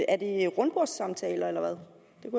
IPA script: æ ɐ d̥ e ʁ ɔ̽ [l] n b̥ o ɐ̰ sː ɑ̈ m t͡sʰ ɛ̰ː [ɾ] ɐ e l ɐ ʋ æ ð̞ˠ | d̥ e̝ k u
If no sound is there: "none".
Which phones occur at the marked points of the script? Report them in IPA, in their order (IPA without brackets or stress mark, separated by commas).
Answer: none, l